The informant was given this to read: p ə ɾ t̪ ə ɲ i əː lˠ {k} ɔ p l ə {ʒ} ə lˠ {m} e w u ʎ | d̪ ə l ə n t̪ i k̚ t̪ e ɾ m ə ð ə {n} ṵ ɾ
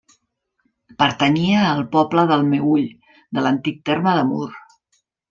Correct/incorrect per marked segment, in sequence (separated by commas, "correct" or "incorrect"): incorrect, incorrect, correct, incorrect